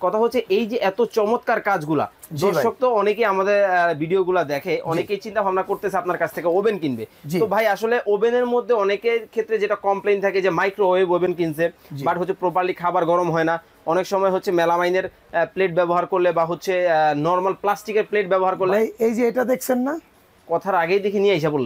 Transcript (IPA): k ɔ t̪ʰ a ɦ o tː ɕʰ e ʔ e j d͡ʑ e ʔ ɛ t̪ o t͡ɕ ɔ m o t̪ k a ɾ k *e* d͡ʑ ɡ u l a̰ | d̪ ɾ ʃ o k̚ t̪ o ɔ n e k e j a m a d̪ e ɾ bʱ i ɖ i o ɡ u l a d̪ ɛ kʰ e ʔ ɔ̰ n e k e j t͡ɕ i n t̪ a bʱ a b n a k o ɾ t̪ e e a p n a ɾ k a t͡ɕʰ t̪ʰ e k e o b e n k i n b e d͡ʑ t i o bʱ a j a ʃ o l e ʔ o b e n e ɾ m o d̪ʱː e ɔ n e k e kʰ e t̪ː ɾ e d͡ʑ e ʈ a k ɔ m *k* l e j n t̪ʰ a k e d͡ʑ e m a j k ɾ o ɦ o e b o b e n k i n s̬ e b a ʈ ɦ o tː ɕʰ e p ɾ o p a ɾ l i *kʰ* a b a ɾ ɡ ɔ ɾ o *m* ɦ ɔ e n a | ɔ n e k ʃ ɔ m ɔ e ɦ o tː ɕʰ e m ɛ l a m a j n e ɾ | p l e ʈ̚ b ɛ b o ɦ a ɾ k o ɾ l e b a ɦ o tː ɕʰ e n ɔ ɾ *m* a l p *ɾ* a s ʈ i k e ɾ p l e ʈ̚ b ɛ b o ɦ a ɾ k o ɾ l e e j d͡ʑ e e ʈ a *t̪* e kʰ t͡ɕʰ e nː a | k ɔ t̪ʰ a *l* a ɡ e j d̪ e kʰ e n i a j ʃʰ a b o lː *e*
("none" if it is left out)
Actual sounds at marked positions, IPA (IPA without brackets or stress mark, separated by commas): a, p, kʰ, m, m, l, d̪, ɾ, e